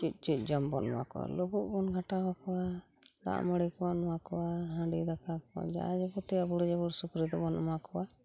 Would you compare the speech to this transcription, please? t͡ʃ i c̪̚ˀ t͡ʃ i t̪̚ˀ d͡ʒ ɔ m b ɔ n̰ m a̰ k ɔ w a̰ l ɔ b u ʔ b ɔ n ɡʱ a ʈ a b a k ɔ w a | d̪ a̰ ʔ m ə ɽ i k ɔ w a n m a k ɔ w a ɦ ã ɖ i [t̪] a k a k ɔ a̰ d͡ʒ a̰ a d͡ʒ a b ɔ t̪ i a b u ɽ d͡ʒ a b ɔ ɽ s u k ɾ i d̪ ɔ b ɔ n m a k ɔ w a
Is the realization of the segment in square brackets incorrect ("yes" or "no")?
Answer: yes